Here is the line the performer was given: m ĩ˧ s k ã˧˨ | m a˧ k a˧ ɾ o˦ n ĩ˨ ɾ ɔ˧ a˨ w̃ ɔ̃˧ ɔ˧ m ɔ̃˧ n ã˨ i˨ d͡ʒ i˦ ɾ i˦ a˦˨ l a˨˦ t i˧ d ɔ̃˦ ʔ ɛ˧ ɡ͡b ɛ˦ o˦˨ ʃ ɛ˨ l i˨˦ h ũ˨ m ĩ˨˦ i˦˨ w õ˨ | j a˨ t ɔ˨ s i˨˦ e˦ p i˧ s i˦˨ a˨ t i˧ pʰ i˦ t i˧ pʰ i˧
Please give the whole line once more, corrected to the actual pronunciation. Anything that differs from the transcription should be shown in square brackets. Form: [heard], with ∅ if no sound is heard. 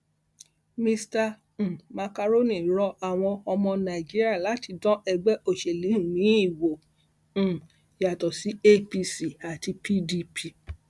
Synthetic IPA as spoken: m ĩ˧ s [t] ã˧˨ | m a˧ k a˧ ɾ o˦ n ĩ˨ ɾ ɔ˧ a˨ w̃ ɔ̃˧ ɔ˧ m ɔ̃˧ n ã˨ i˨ d͡ʒ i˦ ɾ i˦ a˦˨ l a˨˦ t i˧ d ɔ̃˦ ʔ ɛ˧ ɡ͡b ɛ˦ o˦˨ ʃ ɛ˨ l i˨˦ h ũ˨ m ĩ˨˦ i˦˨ w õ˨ | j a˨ t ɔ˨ s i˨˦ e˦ p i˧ s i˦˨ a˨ t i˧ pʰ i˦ [d] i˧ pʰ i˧

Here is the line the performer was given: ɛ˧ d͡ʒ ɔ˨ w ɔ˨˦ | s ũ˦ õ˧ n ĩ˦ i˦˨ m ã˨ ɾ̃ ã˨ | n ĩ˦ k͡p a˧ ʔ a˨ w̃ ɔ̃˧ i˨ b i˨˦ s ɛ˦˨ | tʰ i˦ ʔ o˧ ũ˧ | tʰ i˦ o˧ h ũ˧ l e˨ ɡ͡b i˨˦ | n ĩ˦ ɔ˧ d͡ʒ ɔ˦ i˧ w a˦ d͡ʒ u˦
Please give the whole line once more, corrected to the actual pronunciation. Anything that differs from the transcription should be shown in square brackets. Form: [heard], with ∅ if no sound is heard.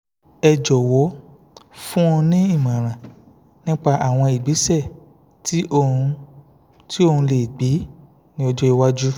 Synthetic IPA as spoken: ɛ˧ d͡ʒ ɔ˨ w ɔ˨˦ | [f] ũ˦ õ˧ n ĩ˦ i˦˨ m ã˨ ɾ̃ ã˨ | n ĩ˦ k͡p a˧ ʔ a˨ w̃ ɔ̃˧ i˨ [ɡ͡b] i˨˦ s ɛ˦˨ | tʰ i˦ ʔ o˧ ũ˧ | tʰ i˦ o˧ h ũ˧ l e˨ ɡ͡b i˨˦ | n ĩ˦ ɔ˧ d͡ʒ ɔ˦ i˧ w a˦ d͡ʒ u˦

